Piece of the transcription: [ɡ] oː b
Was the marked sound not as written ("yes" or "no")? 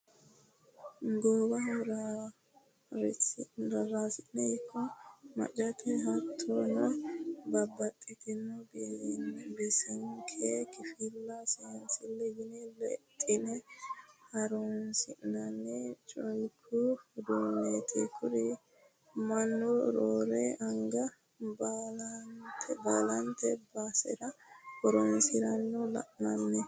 no